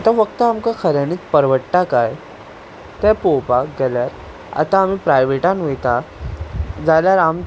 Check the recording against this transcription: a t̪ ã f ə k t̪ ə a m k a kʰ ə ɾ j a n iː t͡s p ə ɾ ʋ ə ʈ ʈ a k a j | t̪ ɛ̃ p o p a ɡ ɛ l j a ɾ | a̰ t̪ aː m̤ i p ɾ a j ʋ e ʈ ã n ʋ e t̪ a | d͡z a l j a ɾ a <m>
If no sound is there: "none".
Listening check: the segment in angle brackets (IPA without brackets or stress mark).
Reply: m